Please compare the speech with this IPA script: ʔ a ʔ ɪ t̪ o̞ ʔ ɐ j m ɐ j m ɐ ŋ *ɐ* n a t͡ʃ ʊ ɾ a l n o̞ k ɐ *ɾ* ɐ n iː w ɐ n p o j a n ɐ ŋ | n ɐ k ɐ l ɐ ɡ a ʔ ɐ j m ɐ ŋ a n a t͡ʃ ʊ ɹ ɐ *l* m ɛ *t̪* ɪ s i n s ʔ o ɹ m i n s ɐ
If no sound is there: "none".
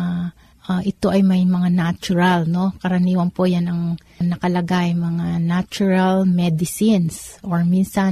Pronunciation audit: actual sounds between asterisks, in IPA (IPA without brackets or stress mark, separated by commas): a, ɾ, l, d̪